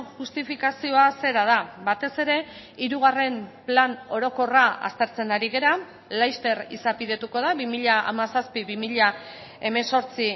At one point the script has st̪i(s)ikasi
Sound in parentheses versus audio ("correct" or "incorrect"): incorrect